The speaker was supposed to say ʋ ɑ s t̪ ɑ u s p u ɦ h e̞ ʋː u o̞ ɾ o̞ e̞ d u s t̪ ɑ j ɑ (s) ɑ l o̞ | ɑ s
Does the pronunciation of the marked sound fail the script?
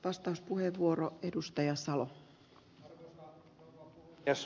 no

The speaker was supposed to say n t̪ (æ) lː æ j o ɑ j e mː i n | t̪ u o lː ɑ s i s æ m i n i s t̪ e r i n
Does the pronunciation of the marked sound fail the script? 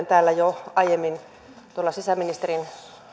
yes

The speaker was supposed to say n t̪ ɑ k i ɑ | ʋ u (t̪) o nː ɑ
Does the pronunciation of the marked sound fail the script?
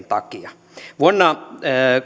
yes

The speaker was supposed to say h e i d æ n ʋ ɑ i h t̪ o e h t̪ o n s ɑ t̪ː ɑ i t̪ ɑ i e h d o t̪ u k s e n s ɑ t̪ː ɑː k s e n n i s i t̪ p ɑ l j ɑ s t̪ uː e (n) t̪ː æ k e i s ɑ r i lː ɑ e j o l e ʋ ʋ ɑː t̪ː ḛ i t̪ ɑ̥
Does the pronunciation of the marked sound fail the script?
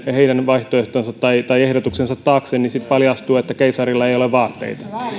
yes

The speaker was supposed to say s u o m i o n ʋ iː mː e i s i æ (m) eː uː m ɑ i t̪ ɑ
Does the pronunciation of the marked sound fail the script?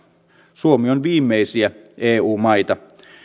yes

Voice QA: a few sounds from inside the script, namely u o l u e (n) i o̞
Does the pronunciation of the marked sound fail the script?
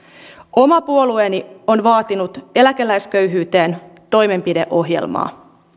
no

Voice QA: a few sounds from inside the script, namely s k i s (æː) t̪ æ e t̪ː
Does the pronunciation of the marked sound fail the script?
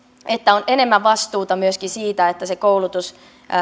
yes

